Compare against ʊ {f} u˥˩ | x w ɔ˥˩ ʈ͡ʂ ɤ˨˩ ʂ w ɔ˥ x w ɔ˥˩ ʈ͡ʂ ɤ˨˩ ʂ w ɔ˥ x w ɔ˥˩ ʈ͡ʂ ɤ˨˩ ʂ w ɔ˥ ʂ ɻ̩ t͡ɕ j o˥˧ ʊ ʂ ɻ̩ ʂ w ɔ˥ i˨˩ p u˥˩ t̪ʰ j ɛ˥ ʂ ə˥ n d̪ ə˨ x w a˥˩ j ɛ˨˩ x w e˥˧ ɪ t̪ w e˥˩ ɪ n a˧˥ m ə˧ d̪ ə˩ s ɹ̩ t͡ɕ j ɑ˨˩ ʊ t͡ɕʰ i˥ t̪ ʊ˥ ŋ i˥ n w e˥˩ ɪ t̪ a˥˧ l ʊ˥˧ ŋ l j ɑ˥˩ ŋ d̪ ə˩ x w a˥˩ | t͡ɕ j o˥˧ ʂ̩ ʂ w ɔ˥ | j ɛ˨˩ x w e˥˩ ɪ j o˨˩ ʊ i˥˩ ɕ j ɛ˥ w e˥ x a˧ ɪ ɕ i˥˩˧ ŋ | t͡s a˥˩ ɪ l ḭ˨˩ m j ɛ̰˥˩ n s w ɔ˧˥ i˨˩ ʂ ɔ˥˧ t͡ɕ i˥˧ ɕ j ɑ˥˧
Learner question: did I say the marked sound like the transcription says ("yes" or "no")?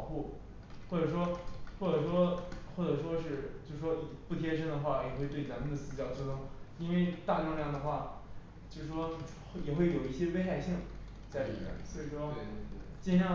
no